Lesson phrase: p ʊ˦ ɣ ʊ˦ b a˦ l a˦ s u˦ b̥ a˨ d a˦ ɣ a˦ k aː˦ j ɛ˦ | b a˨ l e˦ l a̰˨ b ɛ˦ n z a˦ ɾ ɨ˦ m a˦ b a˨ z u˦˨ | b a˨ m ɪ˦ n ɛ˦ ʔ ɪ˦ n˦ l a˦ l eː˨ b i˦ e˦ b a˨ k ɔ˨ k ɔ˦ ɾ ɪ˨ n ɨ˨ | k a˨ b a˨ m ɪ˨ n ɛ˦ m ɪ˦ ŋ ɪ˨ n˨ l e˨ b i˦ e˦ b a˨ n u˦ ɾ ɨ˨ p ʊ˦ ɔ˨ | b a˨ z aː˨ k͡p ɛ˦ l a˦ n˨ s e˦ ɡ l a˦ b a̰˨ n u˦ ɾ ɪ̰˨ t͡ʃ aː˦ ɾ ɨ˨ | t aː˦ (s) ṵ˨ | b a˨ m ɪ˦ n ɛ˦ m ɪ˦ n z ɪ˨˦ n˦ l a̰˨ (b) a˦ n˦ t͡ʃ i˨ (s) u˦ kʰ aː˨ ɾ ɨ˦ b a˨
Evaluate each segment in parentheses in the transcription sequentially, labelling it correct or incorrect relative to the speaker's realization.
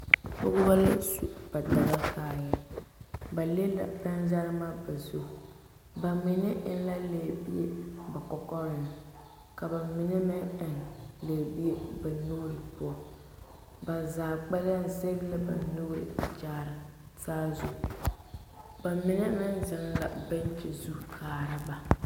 incorrect: z, correct, incorrect: z

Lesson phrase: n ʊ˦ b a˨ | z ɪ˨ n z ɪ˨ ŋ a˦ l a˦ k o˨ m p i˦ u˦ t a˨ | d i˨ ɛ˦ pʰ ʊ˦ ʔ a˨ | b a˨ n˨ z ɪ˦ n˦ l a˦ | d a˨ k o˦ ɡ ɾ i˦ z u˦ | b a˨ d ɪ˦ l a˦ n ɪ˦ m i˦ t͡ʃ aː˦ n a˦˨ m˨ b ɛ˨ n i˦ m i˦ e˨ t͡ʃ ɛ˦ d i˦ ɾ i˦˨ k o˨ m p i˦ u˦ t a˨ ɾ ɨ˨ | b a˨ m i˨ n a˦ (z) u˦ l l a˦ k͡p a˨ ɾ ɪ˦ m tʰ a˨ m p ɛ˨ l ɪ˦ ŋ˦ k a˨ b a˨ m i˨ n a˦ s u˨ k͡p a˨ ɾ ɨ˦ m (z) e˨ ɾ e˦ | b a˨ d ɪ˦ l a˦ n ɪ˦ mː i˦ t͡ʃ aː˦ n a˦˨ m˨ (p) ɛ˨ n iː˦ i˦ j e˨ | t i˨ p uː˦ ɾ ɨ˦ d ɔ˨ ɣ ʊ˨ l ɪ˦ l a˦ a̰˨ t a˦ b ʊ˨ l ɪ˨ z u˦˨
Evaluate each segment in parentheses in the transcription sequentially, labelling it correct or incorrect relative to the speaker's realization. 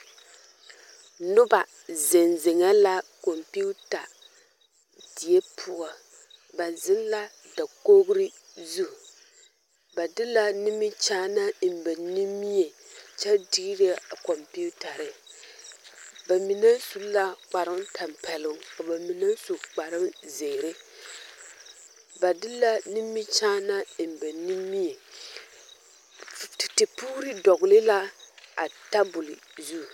incorrect: s, correct, incorrect: b

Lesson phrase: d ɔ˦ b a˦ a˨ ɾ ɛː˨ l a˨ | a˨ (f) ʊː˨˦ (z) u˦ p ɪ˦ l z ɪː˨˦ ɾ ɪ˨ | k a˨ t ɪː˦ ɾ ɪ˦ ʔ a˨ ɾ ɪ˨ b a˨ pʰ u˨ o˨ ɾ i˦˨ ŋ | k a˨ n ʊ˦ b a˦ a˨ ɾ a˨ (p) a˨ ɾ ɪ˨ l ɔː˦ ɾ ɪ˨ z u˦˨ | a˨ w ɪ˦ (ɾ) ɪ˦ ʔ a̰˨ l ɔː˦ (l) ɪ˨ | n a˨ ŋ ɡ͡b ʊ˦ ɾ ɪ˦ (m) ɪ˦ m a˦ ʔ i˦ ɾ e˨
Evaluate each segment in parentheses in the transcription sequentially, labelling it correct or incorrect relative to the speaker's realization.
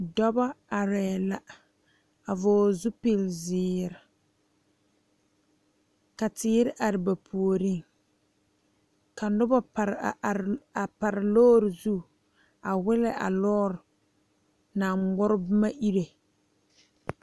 incorrect: v, correct, correct, incorrect: l, incorrect: ɾ, incorrect: b

